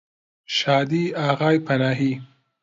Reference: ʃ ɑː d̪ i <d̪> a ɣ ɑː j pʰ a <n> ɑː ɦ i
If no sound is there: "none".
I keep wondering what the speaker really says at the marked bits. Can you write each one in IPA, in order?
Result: none, n

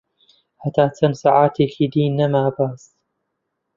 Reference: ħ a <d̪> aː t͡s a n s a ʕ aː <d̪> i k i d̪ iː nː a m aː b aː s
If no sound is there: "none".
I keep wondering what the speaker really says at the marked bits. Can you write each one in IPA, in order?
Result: t̪, t̪

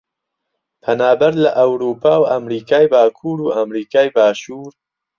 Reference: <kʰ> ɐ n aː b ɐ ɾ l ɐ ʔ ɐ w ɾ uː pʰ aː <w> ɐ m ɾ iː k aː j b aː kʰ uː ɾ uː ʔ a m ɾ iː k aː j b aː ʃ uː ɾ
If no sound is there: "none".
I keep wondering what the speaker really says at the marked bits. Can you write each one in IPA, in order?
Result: pʰ, w

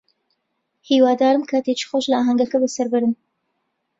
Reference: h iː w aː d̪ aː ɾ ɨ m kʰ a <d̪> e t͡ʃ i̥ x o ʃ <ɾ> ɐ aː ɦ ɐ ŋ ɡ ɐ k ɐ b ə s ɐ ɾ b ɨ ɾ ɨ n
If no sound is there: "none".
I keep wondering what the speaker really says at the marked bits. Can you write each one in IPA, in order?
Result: t̪, l

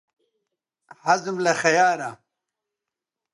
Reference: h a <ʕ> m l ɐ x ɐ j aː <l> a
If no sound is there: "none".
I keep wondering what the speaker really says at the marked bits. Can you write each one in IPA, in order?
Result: z, ɾ

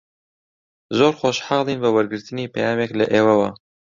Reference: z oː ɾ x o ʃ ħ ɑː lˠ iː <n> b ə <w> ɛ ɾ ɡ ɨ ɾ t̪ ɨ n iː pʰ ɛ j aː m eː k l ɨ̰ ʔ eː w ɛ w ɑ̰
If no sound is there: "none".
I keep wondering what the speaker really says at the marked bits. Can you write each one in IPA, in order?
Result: n, w

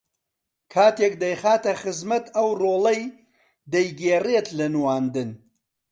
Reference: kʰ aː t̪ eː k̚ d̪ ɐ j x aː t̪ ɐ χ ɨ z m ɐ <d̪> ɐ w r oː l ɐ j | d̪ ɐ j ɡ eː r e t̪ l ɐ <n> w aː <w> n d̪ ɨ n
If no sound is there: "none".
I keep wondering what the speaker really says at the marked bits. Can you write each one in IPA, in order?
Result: t̪, n, none

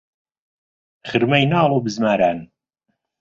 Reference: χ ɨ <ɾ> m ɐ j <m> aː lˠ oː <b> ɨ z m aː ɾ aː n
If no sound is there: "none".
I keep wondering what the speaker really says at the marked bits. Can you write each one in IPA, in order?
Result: ɾ, n, b

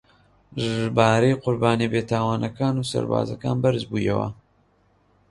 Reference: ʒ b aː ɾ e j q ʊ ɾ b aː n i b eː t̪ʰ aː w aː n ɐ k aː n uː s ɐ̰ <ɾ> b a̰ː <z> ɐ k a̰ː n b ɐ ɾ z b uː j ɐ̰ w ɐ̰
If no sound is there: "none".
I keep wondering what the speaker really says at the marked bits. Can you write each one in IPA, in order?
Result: ɾ, z

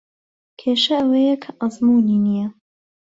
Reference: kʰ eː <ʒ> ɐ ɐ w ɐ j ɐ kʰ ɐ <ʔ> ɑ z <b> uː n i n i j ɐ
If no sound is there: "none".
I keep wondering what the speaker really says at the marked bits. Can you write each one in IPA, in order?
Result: ʃ, ʔ, m

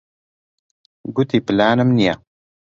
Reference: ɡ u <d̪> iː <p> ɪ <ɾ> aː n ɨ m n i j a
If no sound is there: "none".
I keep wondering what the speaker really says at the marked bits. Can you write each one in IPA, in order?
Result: t̪, p, l

